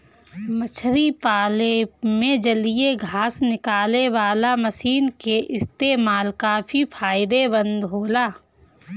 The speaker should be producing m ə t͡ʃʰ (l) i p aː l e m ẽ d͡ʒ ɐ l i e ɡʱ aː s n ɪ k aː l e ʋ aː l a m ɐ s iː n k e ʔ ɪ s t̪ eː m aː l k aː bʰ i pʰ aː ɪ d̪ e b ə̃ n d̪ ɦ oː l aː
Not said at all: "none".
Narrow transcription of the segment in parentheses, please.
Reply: ɾ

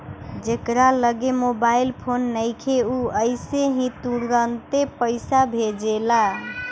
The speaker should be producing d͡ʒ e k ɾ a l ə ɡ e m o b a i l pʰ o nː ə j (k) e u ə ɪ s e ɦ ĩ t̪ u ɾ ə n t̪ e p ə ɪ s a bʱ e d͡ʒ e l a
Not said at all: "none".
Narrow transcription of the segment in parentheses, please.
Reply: kʰ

